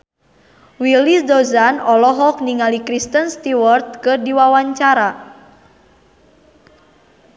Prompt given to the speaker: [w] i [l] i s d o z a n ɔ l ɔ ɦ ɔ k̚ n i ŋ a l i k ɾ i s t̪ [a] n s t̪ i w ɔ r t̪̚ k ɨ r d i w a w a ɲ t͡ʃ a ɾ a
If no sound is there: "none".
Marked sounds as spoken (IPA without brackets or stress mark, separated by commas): w, l, ə